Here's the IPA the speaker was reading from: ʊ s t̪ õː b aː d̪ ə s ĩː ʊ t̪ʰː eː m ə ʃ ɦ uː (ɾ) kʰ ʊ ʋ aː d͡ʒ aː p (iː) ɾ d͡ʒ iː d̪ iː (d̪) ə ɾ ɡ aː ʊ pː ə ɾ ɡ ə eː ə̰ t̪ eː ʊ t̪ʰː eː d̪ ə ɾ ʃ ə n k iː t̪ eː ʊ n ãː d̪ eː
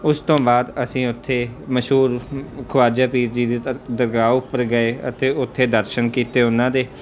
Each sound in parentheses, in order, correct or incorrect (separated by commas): correct, correct, correct